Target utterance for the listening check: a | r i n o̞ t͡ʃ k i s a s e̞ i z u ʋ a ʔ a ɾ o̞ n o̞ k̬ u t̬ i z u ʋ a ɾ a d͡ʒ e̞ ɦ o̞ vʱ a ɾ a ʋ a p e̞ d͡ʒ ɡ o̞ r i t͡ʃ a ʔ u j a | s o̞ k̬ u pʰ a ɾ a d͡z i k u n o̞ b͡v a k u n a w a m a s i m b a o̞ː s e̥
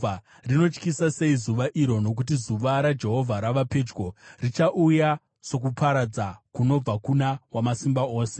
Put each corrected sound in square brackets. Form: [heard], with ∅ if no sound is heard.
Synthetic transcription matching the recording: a | r i n o̞ t͡ʃ k i s a s e̞ i z u ʋ a ʔ [i] ɾ o̞ n o̞ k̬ u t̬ i z u ʋ a ɾ a d͡ʒ e̞ ɦ o̞ vʱ a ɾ a ʋ a p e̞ d͡ʒ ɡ o̞ r i t͡ʃ a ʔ u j a | s o̞ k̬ u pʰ a ɾ a d͡z [a] k u n o̞ b͡v a k u n a w a m a s i m b a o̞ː s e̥